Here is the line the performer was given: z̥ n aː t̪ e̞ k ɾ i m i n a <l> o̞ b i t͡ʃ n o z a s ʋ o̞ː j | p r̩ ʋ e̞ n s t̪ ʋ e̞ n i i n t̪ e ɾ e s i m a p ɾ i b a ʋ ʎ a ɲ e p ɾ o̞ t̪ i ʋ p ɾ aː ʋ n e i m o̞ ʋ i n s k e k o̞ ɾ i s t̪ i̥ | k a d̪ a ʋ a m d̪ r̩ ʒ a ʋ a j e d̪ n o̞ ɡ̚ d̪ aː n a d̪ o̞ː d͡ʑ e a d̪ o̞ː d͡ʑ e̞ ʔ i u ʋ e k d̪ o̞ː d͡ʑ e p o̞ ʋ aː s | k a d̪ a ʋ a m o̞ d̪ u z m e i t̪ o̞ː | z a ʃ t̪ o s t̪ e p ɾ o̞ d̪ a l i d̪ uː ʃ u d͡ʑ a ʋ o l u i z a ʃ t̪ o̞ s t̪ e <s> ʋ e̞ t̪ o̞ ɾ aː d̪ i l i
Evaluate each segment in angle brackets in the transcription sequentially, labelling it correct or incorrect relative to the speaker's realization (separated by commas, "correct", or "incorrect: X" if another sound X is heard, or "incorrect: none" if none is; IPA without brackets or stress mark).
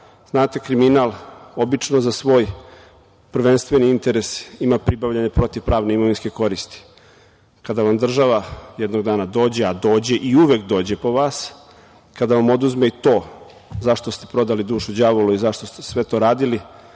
correct, correct